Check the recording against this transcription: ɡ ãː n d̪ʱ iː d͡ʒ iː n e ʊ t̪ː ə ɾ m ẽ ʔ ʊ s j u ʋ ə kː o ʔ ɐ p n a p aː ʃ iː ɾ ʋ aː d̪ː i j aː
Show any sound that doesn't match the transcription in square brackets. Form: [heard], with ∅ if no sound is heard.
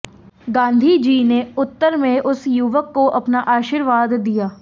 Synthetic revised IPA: ɡ ãː n d̪ʱ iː d͡ʒ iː n e ʊ t̪ː ə ɾ m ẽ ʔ ʊ s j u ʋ ə kː o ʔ ɐ p n a [ʔ] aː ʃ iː ɾ ʋ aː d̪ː i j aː